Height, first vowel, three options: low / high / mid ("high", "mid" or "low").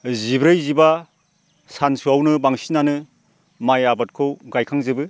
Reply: high